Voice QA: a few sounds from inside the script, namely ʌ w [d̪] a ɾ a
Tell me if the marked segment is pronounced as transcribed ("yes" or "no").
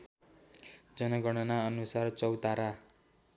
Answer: no